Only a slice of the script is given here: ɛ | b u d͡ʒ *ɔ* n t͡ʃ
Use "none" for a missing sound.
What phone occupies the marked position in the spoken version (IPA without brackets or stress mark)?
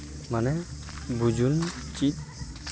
u